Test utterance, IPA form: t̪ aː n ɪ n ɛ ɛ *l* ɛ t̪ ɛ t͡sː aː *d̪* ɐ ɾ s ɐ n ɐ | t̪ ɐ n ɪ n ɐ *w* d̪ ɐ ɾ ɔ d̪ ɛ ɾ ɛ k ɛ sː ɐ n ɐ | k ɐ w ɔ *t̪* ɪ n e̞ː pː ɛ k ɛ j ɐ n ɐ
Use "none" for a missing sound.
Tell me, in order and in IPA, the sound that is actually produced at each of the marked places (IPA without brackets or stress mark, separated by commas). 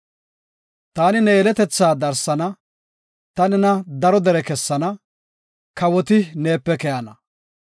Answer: l, d̪, none, t̪